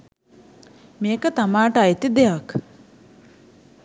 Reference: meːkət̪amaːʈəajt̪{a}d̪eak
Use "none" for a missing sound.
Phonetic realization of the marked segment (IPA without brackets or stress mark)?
i